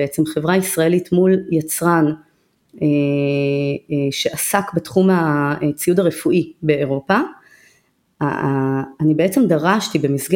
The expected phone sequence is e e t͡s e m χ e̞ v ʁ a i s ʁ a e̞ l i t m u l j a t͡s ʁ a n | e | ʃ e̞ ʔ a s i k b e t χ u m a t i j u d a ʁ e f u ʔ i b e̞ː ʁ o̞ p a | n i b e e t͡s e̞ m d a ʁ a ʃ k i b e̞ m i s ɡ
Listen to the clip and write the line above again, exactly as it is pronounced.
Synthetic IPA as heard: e e t͡s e m χ e̞ v ʁ a i s ʁ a e̞ l i t m u l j a t͡s ʁ a n | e | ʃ e̞ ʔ a s a k b e t χ u m a t͡s i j u d a ʁ e f u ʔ i b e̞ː ʁ o̞ p a | n i b e e t͡s e̞ m d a ʁ a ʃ t i b e̞ m i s ɡ